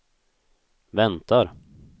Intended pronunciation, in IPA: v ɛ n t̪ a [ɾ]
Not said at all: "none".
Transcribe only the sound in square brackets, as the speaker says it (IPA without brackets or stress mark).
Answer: ɾ